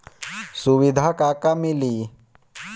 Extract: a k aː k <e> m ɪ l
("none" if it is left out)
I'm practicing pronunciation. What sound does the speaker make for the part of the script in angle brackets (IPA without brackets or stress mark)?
a